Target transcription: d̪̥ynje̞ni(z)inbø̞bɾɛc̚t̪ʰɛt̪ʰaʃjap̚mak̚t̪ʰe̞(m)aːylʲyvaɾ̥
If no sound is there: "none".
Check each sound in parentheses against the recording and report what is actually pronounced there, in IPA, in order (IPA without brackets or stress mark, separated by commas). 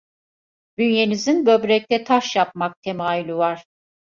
z, m